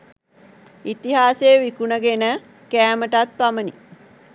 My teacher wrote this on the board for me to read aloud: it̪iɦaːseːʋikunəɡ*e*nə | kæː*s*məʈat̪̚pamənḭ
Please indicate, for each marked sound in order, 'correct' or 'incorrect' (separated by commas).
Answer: correct, incorrect